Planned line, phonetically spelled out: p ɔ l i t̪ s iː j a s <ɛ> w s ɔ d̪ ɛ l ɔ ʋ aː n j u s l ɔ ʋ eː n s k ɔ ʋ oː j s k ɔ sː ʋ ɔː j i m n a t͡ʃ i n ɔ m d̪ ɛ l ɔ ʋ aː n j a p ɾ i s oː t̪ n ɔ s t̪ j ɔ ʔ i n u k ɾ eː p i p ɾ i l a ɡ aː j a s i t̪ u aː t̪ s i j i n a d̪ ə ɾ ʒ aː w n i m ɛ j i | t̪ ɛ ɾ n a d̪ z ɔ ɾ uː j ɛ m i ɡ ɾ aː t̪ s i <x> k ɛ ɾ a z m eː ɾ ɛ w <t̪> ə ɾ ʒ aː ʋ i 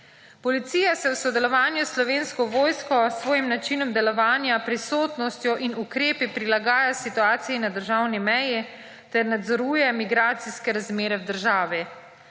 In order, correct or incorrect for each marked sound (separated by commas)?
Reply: correct, incorrect, incorrect